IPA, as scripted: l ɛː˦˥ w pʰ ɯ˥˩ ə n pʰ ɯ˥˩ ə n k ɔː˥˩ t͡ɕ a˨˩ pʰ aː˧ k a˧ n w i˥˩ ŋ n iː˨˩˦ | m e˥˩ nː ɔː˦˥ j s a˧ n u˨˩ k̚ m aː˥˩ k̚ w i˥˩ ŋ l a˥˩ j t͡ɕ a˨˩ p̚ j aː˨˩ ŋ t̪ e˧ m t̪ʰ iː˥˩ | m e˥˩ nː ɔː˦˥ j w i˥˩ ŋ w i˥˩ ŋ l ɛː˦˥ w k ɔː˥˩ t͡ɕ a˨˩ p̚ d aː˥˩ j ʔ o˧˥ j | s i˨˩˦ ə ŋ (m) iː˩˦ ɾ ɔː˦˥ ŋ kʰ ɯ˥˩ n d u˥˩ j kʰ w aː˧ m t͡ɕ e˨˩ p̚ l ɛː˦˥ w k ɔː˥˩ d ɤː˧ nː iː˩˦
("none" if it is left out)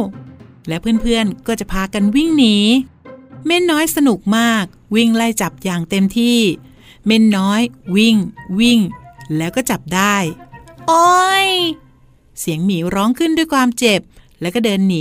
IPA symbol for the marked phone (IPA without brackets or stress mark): m